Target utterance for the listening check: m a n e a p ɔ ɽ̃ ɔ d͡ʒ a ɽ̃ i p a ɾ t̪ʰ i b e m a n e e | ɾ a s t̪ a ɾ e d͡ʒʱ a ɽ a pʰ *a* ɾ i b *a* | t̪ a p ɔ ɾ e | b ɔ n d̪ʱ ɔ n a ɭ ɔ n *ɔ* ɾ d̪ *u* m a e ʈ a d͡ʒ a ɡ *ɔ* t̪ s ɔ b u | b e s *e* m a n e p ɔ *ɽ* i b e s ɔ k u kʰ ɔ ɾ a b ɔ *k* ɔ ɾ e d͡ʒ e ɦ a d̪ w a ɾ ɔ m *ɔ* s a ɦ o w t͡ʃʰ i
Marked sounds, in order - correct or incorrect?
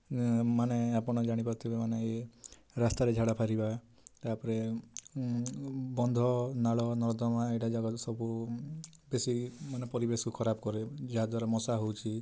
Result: correct, correct, correct, incorrect: ɔ, correct, incorrect: i, incorrect: ɾ, correct, correct

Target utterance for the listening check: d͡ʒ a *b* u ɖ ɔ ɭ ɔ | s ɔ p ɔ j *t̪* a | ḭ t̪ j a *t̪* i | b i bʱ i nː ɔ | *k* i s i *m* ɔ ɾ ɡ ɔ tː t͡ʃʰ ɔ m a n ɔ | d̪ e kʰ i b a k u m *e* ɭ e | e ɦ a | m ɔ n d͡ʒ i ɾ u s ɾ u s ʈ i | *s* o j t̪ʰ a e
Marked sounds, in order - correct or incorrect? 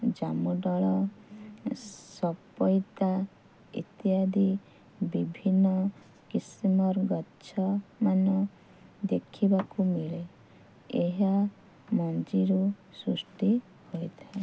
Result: incorrect: m, correct, incorrect: d̪, correct, correct, incorrect: i, incorrect: h

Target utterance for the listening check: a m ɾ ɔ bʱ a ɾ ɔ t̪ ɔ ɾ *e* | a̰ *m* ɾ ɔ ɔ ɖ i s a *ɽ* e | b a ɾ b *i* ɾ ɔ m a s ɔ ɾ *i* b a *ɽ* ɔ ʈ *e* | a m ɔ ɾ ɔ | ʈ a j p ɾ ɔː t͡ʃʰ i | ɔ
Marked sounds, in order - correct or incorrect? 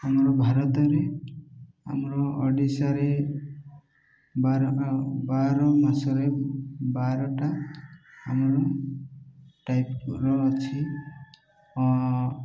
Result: correct, correct, incorrect: ɾ, incorrect: a, incorrect: e, incorrect: ɾ, incorrect: a

